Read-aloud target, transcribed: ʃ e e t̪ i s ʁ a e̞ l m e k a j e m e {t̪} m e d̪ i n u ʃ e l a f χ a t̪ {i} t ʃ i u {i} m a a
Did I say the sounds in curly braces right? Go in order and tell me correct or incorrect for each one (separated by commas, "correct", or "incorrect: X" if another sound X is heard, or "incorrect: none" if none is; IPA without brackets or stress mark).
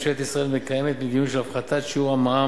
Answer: correct, incorrect: a, incorrect: a